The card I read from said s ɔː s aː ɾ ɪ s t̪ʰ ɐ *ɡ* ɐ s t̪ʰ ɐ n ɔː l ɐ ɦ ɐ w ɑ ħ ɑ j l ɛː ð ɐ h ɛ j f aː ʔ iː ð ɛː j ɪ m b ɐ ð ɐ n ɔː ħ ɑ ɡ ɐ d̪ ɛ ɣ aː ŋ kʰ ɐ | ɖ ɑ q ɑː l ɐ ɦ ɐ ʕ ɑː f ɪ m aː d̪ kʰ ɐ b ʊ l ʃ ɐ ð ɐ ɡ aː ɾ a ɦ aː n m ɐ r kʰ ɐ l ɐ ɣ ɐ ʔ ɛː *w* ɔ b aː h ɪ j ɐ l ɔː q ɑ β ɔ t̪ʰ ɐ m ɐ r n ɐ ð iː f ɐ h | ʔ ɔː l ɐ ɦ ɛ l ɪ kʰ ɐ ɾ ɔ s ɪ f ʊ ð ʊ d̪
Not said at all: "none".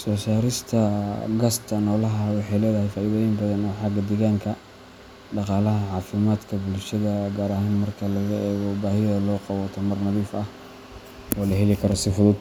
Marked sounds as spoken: ɡ, ɣ

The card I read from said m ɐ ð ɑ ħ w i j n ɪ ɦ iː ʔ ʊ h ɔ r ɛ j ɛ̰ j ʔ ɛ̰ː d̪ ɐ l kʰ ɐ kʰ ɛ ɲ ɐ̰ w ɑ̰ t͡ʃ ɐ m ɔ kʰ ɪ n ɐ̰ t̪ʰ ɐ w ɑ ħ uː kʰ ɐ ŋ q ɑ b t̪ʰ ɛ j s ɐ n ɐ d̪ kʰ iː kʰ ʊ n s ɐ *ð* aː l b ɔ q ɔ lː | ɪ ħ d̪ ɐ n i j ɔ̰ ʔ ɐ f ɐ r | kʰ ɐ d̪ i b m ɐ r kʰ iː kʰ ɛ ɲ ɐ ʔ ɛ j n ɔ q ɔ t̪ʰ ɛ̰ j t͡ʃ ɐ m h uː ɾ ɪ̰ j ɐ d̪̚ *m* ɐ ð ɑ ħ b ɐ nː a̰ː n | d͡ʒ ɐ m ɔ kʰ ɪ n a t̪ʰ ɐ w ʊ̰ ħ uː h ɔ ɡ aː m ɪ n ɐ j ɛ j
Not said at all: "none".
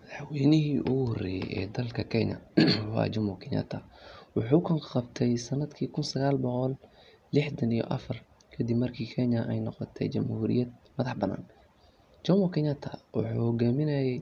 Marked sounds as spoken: ɣ, m

